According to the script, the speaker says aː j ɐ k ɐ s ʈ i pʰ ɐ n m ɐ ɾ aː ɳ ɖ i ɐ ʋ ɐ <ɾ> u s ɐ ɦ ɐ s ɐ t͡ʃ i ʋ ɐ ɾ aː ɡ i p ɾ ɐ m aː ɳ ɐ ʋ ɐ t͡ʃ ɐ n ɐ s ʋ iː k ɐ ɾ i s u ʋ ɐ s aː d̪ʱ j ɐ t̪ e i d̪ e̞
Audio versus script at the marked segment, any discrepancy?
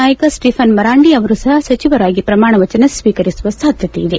no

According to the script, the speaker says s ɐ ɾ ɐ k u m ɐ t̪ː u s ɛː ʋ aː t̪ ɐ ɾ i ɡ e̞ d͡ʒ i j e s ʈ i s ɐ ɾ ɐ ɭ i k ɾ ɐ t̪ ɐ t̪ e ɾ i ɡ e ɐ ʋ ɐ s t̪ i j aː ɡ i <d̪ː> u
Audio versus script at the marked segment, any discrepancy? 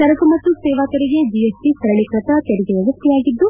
no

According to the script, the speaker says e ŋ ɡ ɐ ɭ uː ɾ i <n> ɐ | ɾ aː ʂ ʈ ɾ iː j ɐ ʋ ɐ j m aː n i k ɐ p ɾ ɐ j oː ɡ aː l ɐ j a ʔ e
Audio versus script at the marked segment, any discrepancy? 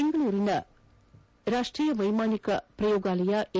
no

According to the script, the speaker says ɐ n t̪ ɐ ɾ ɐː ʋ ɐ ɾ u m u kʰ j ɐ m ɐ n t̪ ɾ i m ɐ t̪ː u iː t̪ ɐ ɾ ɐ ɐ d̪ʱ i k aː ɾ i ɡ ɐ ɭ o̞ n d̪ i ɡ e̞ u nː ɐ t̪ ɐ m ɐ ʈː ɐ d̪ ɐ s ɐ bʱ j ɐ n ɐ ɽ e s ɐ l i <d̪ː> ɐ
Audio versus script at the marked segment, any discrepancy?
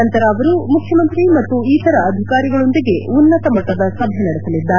no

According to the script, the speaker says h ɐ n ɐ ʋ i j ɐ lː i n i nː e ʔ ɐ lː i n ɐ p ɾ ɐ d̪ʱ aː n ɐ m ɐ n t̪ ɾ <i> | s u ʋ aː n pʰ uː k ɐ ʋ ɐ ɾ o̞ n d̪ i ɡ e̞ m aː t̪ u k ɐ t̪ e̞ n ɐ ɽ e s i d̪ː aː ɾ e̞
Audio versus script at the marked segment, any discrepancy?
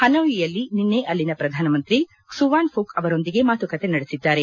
no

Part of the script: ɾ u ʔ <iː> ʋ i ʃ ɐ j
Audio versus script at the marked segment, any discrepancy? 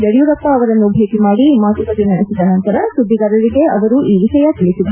no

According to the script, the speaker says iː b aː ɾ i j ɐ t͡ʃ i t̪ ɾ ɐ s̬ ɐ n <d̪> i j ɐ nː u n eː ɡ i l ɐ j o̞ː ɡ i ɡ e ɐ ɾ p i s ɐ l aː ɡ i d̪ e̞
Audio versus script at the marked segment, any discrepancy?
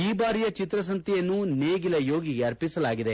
yes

